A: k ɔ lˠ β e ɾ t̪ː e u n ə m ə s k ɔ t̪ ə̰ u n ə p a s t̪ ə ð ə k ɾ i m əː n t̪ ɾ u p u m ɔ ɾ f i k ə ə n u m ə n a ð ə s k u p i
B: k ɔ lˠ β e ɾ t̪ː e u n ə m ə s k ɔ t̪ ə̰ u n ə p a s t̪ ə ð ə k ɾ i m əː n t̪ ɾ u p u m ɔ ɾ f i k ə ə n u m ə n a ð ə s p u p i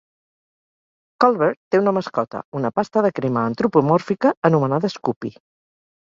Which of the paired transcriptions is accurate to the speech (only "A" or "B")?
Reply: A